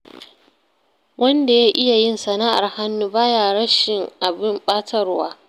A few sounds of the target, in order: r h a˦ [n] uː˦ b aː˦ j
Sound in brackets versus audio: incorrect: nː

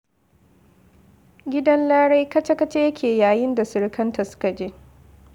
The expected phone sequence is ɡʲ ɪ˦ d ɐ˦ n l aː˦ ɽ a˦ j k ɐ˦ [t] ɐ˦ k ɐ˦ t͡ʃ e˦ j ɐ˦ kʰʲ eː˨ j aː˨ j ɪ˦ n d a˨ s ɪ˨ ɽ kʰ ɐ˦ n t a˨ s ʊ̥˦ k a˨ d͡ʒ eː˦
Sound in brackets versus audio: incorrect: t͡ʃ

